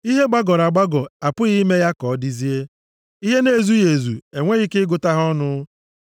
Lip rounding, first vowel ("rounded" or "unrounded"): unrounded